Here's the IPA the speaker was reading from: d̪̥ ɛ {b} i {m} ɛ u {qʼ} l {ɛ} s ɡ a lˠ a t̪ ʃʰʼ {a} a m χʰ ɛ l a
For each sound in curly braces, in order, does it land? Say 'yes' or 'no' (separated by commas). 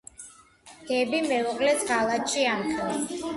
yes, yes, yes, yes, no